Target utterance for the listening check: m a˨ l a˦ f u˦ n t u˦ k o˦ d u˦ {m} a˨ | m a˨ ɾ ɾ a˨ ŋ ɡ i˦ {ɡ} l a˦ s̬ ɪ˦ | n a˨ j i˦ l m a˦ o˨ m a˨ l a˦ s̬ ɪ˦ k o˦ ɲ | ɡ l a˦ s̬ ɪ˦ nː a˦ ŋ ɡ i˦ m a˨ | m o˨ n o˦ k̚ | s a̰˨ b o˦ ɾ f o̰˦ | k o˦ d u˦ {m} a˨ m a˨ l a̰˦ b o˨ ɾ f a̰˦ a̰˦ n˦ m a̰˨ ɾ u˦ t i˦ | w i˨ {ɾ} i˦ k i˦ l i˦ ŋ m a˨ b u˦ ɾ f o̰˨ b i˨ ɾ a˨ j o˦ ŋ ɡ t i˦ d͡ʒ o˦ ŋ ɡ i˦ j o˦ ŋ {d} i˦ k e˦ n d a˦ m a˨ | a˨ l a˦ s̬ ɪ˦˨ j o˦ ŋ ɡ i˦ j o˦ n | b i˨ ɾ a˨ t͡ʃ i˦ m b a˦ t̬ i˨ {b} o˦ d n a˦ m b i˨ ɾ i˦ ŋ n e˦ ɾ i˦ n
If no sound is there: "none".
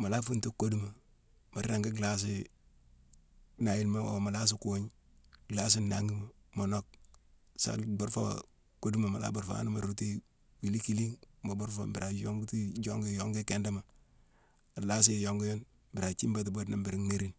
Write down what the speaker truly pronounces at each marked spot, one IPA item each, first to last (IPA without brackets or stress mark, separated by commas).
m, ɡ, m, l, ɡ, b